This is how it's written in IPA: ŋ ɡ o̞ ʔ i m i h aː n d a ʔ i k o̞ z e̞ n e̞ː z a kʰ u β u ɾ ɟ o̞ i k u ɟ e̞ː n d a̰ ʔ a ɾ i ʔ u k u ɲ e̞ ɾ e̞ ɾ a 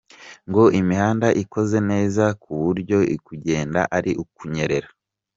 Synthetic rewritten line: ŋ ɡ o̞ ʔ i m i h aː n d a ʔ i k o̞ z e̞ n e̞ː z a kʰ u β u ɾ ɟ o̞ i k u ɟ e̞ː n d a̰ ʔ a ɾ i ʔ u k u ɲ e̞ ɾ e̞ ɾ a